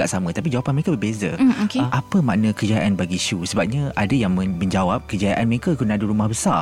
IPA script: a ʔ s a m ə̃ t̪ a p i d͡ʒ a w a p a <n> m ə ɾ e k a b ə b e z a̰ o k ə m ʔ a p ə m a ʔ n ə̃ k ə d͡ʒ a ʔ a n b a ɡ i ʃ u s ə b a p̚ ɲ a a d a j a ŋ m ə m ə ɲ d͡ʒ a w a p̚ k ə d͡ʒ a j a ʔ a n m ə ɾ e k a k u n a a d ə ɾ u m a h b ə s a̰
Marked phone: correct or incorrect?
correct